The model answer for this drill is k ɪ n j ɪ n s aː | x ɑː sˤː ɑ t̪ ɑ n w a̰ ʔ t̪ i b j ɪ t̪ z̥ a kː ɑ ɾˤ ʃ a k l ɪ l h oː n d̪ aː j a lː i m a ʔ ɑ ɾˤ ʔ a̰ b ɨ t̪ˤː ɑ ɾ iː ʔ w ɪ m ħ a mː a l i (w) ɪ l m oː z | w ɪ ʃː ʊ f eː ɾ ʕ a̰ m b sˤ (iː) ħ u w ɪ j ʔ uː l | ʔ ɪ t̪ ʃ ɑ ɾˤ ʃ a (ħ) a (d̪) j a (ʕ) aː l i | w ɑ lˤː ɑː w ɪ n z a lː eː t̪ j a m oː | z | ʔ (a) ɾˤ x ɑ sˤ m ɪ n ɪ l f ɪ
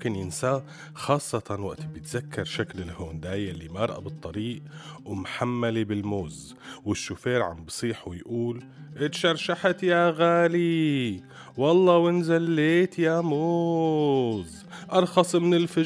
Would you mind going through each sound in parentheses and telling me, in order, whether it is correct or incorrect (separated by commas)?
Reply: incorrect, correct, correct, incorrect, incorrect, incorrect